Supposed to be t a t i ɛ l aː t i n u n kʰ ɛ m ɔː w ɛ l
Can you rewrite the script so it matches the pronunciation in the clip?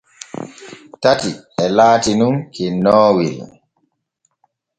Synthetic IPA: t a t i ɛ l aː t i n u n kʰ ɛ n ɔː w i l